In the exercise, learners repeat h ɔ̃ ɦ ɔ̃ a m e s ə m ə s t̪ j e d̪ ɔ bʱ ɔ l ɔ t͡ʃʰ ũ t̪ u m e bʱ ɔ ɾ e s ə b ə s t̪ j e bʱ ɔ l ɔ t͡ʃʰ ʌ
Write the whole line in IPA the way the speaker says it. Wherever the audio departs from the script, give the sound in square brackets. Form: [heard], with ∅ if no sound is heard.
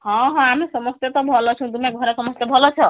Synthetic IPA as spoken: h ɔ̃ ɦ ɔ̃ a m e s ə m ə s t̪ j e [t̪] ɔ bʱ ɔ l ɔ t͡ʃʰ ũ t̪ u m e [ɡʱ] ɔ ɾ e s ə [m] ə s t̪ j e bʱ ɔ l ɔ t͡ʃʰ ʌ